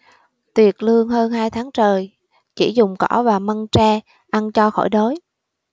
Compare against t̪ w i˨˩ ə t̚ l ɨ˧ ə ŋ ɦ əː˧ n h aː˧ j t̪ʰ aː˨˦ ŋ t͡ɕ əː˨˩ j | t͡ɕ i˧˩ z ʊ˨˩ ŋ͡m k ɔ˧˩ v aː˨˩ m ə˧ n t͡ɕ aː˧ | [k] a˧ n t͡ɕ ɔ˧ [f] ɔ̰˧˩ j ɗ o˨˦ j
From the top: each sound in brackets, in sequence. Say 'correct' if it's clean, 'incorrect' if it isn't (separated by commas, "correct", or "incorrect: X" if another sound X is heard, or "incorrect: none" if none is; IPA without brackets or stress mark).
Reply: incorrect: ʔ, incorrect: x